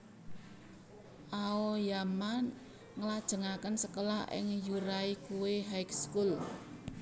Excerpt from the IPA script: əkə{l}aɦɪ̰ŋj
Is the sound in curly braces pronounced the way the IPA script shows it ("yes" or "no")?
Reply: yes